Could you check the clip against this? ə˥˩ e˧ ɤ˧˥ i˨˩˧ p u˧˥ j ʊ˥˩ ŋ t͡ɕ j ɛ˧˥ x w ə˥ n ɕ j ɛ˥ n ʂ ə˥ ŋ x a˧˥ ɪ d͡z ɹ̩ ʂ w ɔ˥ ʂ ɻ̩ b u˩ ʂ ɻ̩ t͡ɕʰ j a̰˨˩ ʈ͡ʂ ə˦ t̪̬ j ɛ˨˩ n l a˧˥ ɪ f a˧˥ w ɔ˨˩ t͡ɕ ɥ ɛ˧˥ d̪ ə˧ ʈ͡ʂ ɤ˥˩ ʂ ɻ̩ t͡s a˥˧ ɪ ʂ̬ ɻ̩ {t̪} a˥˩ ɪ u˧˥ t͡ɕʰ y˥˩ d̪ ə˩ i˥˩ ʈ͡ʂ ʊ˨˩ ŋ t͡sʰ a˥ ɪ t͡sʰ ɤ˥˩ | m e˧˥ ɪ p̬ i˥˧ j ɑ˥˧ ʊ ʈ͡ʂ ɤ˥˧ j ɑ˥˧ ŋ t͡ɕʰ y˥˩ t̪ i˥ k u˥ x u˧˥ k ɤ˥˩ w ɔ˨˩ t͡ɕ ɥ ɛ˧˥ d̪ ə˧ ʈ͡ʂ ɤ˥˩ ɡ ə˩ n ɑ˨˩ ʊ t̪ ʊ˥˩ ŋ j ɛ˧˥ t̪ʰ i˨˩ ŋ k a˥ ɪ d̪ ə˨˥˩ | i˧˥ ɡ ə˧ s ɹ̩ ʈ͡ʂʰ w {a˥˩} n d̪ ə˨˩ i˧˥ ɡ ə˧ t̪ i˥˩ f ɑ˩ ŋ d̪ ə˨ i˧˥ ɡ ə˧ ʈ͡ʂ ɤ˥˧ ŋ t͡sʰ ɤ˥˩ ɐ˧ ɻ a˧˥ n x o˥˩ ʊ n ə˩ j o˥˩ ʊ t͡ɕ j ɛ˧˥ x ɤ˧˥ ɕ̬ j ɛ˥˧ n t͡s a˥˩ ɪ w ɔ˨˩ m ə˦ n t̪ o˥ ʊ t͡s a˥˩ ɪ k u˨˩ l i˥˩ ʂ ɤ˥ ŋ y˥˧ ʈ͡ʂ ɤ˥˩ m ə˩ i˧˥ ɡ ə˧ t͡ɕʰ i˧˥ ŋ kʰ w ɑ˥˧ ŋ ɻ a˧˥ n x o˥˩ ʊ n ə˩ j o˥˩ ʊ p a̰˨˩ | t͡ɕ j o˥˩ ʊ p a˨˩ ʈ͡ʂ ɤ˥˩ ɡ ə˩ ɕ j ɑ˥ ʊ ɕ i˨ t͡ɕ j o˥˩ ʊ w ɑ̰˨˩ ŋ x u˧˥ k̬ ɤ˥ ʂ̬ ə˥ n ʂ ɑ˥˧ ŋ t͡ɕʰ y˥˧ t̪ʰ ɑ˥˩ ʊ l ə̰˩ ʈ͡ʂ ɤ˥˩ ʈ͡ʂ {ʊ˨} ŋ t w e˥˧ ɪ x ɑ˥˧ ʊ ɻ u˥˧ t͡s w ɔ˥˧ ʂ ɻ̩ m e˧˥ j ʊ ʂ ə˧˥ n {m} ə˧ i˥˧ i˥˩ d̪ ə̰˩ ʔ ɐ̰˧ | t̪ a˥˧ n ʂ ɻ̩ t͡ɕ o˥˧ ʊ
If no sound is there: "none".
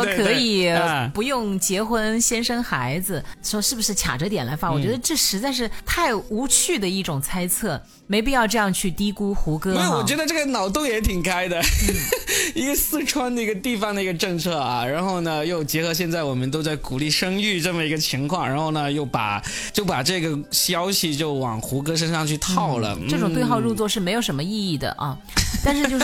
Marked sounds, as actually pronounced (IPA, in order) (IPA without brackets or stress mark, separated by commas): t̪ʰ, a˥, ʊ˨, m